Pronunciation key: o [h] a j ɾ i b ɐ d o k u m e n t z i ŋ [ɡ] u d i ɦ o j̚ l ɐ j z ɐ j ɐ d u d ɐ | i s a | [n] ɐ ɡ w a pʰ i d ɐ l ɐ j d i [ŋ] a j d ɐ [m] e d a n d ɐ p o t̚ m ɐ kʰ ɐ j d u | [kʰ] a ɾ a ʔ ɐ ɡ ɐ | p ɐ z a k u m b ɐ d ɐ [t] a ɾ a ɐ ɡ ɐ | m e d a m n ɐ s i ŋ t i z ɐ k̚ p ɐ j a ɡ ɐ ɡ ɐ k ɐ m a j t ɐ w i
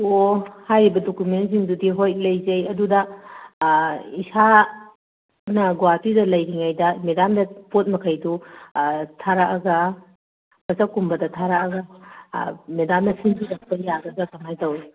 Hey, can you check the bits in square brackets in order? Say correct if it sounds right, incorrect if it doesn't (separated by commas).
correct, incorrect, correct, correct, correct, incorrect, incorrect